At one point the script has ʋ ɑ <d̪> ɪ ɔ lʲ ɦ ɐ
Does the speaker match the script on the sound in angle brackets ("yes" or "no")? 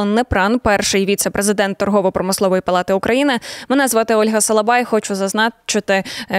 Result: no